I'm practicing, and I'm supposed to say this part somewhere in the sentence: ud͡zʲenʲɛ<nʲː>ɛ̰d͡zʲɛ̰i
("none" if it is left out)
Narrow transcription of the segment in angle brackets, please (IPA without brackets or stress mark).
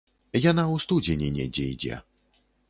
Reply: nʲ